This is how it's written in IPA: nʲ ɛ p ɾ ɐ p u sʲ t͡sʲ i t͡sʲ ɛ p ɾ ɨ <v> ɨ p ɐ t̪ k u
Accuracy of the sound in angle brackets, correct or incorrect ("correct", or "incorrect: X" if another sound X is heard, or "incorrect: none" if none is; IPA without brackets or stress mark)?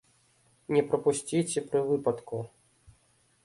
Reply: correct